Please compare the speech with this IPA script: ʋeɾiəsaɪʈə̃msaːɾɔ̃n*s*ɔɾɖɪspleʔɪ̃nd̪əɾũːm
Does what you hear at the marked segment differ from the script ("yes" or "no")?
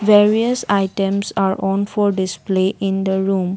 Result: yes